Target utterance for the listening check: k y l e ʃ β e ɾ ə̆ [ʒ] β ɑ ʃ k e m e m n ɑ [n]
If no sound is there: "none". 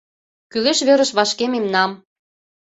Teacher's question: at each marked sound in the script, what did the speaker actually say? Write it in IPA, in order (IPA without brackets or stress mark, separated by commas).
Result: ʃ, m